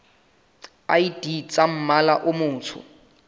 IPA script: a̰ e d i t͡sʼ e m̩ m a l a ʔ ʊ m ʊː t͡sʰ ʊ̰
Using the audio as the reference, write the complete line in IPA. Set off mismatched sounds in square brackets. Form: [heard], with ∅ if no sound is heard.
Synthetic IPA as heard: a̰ [i] d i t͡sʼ [a] m̩ m a l a ʔ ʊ m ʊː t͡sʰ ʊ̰